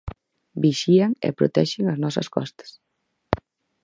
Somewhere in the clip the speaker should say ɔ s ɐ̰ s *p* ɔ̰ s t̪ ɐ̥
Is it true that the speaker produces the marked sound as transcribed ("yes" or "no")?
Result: no